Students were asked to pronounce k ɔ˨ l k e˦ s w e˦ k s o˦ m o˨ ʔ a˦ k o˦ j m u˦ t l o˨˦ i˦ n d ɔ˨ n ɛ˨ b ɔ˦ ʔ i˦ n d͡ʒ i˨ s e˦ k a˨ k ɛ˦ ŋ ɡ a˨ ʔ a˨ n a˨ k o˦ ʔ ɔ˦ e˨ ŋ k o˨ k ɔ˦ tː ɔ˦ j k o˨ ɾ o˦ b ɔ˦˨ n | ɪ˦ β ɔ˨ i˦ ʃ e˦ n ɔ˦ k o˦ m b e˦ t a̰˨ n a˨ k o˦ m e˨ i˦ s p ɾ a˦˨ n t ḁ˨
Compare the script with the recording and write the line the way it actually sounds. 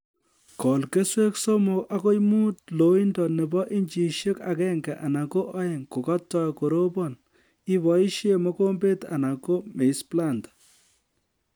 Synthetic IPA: k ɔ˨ l k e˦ s w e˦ k s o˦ m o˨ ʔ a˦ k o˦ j m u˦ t l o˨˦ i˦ n d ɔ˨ n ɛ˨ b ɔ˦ ʔ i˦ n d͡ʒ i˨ ʃ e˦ k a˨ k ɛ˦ ŋ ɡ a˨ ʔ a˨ n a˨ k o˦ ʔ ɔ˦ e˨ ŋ k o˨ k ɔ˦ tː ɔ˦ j k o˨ ɾ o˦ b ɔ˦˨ n | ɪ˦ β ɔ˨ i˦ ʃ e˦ m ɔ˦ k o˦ m b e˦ t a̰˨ n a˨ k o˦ m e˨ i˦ s p l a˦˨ n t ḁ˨

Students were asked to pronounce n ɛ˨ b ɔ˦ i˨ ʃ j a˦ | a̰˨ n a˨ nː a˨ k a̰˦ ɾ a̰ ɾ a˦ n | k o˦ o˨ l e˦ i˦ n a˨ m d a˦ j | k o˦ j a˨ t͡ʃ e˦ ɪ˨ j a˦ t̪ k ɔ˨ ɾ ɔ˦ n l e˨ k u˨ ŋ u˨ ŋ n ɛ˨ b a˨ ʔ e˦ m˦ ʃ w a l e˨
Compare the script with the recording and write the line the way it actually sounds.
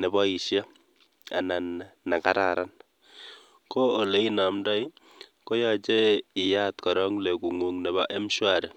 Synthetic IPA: n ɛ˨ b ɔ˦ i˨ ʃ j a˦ | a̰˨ n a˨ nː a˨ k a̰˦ ɾ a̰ ɾ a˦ n | k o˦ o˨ l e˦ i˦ n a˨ m d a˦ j | k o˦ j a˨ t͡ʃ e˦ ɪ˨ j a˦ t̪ k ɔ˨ ɾ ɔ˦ ŋ l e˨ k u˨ ŋ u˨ ŋ n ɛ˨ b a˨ ʔ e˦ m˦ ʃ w a ɾ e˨

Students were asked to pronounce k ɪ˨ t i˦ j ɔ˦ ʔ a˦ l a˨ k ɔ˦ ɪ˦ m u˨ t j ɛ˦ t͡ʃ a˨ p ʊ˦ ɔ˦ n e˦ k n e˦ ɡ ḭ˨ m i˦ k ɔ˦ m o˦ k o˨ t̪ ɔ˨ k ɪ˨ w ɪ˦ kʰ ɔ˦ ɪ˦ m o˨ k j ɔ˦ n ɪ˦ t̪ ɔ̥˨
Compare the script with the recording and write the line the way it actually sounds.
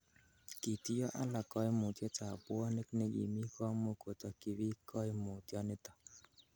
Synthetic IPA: k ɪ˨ t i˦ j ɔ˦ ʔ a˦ l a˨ k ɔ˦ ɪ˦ m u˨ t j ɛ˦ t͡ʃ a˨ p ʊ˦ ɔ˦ n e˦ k n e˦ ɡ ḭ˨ m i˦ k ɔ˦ m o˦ k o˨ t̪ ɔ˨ k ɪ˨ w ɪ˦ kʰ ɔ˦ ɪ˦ m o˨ t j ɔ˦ n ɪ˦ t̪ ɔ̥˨

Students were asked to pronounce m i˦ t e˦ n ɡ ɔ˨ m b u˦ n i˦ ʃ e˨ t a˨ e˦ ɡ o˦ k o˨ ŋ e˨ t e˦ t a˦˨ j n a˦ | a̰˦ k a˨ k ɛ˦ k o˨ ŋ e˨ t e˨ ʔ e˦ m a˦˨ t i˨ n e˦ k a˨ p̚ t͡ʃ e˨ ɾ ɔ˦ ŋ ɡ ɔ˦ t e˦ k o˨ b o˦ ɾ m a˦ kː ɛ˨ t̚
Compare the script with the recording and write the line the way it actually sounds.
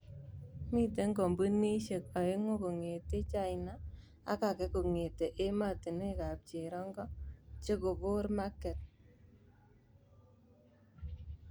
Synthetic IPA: m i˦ t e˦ ŋ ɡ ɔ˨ m b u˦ n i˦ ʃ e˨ k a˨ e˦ ŋ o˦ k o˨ ŋ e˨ t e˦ t͡ʃ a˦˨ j n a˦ | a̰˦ k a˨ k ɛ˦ k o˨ ŋ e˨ t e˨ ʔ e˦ m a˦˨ t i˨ n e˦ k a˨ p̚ t͡ʃ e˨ ɾ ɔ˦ ŋ ɡ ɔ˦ t͡ʃ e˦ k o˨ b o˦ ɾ m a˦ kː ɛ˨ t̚

